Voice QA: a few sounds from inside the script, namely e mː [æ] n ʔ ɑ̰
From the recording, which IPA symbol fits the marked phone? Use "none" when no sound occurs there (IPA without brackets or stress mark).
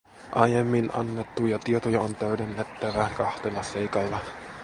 i